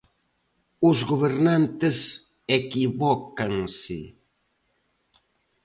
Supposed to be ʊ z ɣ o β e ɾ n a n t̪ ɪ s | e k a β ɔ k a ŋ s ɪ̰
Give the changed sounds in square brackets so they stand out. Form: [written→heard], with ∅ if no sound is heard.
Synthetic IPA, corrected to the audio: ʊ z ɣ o β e ɾ n a n t̪ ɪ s | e k [a→i] β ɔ k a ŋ s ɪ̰